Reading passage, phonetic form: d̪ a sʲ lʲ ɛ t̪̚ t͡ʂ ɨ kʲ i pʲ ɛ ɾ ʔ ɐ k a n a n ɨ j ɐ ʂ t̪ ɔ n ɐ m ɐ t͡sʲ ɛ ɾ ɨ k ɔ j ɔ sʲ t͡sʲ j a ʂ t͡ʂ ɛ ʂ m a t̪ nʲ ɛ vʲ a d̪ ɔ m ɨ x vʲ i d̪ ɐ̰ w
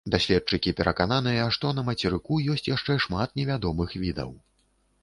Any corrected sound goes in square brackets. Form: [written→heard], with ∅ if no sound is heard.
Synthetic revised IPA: d̪ a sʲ lʲ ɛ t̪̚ t͡ʂ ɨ kʲ i pʲ ɛ ɾ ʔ ɐ k a n a n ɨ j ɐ ʂ t̪ ɔ n ɐ m ɐ t͡sʲ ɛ ɾ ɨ k [ɔ→u] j ɔ sʲ t͡sʲ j a ʂ t͡ʂ ɛ ʂ m a t̪ nʲ ɛ vʲ a d̪ ɔ m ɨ x vʲ i d̪ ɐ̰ w